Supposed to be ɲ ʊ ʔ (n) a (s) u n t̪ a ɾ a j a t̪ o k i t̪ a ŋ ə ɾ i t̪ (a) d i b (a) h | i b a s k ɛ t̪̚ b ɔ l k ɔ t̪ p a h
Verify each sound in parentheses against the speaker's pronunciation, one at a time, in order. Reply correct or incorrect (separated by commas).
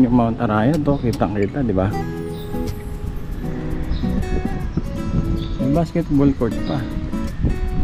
incorrect, incorrect, correct, correct